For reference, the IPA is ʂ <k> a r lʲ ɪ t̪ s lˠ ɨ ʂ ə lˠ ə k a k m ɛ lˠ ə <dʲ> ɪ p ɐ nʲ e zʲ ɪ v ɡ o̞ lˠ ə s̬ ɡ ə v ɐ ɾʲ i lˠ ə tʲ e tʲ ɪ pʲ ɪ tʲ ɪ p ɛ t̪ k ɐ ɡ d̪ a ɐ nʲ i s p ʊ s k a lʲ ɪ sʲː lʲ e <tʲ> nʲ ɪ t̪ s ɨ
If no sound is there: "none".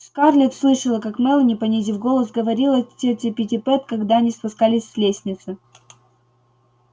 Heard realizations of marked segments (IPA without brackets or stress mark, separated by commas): k, nʲ, sʲ